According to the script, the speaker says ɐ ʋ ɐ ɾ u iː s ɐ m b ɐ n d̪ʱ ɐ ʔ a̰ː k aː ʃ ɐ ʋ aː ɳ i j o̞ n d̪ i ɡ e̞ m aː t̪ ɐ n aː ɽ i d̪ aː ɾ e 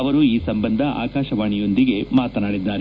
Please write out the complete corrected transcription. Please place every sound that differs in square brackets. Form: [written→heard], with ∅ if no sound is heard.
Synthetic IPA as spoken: ɐ ʋ ɐ ɾ u iː s ɐ m b ɐ n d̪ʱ ɐ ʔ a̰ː k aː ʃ ɐ ʋ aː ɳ i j o̞ n d̪ i ɡ e̞ m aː t̪ ɐ n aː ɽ i [d̪→d̪ː] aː ɾ e

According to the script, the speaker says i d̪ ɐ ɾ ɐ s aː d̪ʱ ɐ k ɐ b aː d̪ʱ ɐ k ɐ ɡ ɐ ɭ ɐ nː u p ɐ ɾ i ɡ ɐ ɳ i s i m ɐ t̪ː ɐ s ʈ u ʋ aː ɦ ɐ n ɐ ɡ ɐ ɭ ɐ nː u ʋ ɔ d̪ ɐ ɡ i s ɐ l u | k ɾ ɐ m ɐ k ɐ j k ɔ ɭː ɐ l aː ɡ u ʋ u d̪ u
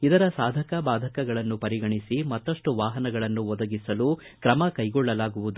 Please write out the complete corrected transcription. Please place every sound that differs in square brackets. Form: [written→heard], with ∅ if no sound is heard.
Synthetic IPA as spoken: i d̪ ɐ ɾ ɐ s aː d̪ʱ ɐ k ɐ b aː d̪ʱ ɐ k ɐ ɡ ɐ ɭ ɐ nː u p ɐ ɾ i ɡ ɐ ɳ i s i m ɐ t̪ː ɐ [s→ʂ] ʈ u ʋ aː ɦ ɐ n ɐ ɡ ɐ ɭ ɐ nː u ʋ ɔ d̪ ɐ ɡ i s ɐ l u | k ɾ ɐ m ɐ k ɐ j [k→ɡ] ɔ ɭː ɐ l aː ɡ u ʋ u d̪ u

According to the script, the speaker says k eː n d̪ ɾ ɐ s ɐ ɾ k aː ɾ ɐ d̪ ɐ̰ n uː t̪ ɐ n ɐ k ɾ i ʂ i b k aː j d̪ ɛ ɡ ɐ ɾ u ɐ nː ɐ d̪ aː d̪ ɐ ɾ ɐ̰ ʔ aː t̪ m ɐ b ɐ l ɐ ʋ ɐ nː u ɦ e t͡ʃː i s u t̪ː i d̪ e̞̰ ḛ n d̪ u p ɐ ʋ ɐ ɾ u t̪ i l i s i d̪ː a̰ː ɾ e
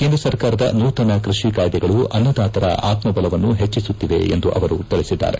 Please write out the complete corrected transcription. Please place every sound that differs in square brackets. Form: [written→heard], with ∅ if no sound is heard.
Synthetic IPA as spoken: k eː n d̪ ɾ ɐ s ɐ ɾ k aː ɾ ɐ d̪ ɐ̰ n uː t̪ ɐ n ɐ k ɾ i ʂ i [b→∅] k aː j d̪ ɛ ɡ ɐ [ɾ→ɭ] u ɐ nː ɐ d̪ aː [d̪→t̪] ɐ ɾ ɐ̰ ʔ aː t̪ m ɐ b ɐ l ɐ ʋ ɐ nː u ɦ e t͡ʃː i s u t̪ː i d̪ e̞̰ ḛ n d̪ u [p→ʔ] ɐ ʋ ɐ ɾ u t̪ i [l→ɭ] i s i d̪ː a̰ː ɾ e

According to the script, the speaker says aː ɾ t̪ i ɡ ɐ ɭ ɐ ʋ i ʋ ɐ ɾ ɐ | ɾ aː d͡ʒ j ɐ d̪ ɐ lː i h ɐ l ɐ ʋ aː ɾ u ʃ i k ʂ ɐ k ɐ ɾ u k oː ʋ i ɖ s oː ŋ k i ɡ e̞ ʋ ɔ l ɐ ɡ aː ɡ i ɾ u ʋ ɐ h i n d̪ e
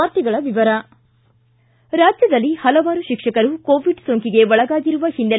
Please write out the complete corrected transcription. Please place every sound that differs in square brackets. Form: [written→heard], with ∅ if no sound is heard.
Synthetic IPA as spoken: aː ɾ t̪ i ɡ ɐ ɭ ɐ ʋ i ʋ ɐ ɾ ɐ | ɾ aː d͡ʒ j ɐ d̪ ɐ lː i h ɐ l ɐ ʋ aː ɾ u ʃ i k ʂ ɐ k ɐ ɾ u k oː ʋ i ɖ s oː ŋ k i ɡ e̞ ʋ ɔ [l→ɭ] ɐ ɡ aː ɡ i ɾ u ʋ ɐ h i n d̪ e

